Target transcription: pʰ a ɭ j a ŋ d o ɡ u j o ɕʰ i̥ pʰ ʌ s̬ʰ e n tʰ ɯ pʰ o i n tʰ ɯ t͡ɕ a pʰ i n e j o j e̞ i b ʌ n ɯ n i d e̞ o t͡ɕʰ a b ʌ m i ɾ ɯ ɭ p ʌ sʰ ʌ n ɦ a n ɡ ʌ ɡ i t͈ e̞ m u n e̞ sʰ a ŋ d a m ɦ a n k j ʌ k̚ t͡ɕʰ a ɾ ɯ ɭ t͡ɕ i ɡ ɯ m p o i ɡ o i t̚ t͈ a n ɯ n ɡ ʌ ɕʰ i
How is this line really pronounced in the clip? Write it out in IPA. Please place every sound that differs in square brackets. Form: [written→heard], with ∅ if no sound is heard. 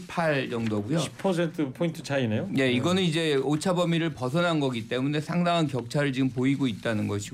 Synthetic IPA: pʰ a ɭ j [a→ʌ] ŋ d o ɡ u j o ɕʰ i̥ pʰ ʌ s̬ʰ e n tʰ ɯ pʰ o i n tʰ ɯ t͡ɕ a [pʰ→∅] i n e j o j e̞ i [b→ɡ] ʌ n ɯ n i [d→d͡ʑ] e̞ o t͡ɕʰ a b ʌ m i ɾ ɯ ɭ p ʌ sʰ ʌ n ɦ a n ɡ ʌ ɡ i t͈ e̞ m u n e̞ sʰ a ŋ d a [m→ŋ] ɦ a n k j ʌ k̚ t͡ɕʰ a ɾ ɯ ɭ t͡ɕ i ɡ ɯ m p o i ɡ o i t̚ t͈ a n ɯ n ɡ ʌ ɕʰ i